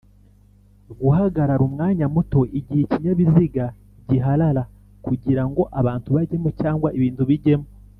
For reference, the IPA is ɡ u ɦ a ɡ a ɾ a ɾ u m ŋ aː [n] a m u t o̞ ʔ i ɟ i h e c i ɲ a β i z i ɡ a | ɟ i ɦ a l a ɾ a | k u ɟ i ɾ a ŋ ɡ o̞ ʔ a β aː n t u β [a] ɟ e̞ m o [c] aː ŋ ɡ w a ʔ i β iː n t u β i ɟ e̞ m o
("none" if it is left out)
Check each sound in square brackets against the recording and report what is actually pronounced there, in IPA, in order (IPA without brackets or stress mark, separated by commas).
ɲ, a, c